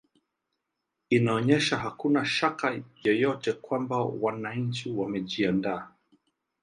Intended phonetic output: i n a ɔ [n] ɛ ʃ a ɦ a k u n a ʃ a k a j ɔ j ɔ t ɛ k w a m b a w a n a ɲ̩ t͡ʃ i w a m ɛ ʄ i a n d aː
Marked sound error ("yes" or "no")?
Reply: yes